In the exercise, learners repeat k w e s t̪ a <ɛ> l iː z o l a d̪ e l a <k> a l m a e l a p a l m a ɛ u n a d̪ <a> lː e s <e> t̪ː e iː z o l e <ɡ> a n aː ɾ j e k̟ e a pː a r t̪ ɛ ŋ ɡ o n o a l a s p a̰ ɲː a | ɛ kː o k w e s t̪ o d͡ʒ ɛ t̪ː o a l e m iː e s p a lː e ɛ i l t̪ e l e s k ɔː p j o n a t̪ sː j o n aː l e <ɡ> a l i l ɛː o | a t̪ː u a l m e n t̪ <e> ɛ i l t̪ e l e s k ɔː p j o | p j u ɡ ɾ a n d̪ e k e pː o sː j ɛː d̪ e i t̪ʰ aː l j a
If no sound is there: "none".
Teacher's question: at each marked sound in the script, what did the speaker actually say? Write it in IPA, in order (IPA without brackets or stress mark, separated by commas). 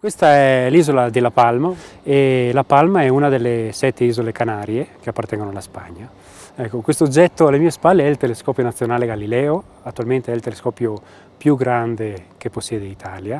ɛ, p, e, ɛ, k, ɡ, e